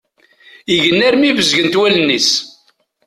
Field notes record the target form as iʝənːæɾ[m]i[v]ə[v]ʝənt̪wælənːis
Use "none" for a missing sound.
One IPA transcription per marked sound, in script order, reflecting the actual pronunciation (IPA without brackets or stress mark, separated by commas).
m, v, z